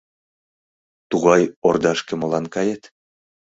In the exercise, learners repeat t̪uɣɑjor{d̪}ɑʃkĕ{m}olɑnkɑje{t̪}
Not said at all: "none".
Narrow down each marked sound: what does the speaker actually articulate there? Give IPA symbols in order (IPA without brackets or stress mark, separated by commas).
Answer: d̪, m, t̪